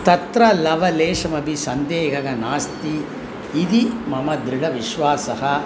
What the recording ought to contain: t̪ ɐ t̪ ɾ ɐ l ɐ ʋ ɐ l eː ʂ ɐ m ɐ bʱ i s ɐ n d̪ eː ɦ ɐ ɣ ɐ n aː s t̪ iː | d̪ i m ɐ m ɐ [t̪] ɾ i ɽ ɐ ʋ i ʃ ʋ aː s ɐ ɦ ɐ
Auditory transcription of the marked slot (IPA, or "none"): d̪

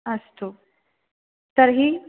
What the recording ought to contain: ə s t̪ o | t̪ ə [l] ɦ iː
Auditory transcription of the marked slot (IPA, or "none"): ɾ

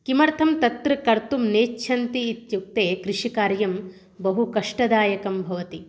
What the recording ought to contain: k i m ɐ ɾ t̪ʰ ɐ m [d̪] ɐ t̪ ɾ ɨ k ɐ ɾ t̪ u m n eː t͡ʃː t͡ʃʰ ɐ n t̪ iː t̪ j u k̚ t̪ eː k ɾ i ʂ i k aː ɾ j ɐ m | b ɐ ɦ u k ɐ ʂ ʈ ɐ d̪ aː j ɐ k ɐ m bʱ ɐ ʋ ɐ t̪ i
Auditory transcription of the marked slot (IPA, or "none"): t̪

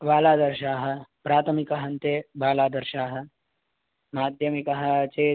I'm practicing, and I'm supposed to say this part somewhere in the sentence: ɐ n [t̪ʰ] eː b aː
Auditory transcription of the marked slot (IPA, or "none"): t̪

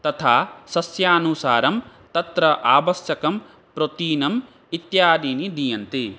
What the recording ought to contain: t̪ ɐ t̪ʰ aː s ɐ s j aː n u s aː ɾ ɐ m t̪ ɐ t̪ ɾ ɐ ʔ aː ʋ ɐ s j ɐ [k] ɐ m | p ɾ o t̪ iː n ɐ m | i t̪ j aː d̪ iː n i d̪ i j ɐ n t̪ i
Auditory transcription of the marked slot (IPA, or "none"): k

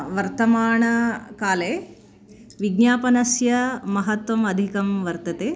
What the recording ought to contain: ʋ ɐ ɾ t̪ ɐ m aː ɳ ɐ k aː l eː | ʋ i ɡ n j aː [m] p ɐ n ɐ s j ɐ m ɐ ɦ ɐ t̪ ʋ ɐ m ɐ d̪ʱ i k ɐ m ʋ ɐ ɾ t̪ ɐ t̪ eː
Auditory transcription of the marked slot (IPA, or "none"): none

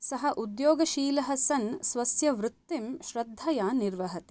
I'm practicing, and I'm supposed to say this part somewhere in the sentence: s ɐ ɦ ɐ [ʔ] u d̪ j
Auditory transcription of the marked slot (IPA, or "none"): ʔ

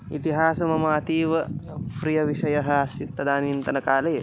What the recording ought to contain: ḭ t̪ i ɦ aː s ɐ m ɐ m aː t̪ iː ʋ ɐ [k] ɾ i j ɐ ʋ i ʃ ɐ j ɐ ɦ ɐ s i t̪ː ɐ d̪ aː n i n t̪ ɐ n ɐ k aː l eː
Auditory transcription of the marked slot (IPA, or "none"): p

